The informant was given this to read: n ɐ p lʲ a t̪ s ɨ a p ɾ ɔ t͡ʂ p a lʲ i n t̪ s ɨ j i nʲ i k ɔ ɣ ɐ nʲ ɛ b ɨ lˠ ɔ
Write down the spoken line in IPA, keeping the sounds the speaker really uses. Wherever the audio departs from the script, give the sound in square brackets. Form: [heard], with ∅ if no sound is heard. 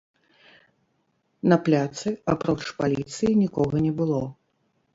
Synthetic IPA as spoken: n ɐ p lʲ a t̪ s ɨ a p ɾ ɔ t͡ʂ p a lʲ i [∅] t̪ s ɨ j i nʲ i k ɔ ɣ ɐ nʲ ɛ b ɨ lˠ ɔ